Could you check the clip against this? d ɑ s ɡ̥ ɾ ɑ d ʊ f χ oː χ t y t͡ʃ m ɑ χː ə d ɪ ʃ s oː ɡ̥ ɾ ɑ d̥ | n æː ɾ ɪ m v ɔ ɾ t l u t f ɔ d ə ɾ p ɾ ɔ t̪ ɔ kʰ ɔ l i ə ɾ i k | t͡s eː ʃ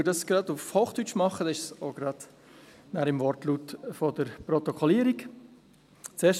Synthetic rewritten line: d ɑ s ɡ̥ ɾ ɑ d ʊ f h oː χ t y t͡ʃ m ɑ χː ə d ɪ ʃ s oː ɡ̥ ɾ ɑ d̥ | n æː ɾ ɪ m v ɔ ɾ t l u t f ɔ d ə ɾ p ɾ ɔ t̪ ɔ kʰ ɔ l i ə ɾ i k | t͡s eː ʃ